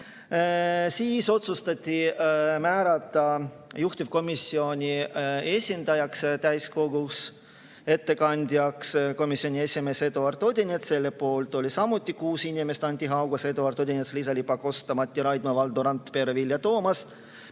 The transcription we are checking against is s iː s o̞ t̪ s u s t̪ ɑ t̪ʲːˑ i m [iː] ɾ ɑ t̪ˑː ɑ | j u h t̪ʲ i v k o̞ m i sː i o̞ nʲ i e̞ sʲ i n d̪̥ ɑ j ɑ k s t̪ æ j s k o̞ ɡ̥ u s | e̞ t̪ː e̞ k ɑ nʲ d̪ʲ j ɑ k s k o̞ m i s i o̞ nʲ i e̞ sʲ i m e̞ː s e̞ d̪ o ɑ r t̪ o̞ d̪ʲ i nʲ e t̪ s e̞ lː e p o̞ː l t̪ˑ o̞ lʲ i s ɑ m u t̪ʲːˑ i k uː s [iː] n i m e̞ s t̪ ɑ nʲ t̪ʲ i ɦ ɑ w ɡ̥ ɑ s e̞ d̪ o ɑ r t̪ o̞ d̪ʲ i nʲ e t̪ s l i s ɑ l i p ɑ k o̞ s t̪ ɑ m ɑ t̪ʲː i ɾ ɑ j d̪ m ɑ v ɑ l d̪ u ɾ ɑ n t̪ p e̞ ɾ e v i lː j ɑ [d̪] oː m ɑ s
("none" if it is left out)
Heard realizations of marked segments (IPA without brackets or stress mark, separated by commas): æː, i, t̪